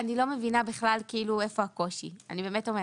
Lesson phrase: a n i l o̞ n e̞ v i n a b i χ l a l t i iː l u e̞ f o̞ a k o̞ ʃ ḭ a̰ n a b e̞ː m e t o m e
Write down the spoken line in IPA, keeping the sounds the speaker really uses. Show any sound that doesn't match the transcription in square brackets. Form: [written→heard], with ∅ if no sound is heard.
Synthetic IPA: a n i l o̞ [n→m] e̞ v i n a b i χ l a l [t→k] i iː l u e̞ f o̞ a k o̞ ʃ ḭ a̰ n [a→i] b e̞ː m e t o m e